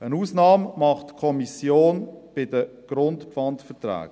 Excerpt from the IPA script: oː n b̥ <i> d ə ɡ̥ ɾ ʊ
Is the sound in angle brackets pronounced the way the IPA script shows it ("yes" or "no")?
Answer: no